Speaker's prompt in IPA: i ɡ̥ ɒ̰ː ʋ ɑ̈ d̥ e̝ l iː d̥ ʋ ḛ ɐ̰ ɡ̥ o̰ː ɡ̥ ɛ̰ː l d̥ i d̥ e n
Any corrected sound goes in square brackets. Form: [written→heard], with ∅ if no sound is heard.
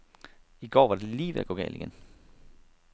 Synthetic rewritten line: i ɡ̥ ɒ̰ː ʋ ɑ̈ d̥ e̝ l iː [d̥→∅] ʋ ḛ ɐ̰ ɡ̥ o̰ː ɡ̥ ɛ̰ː l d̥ i [d̥→ɡ̥] e n